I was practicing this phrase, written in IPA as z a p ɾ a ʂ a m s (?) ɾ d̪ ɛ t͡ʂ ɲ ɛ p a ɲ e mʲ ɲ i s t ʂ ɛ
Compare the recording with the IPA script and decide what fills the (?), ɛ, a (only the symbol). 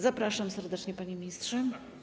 ɛ